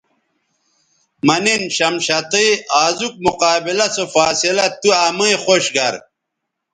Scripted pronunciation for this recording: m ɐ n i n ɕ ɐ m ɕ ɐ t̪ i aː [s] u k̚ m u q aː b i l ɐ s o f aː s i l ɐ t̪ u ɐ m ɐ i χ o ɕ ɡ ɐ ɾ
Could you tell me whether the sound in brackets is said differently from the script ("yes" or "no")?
yes